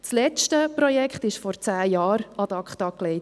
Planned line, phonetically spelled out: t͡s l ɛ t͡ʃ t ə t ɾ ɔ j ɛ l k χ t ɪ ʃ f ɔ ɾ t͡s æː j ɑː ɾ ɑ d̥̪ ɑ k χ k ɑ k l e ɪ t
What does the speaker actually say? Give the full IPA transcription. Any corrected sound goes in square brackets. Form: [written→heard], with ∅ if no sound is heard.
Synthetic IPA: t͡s l ɛ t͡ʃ t ə [t→p] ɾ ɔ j ɛ [l→∅] k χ t ɪ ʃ f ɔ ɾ t͡s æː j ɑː ɾ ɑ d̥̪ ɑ k χ [k→t] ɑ k l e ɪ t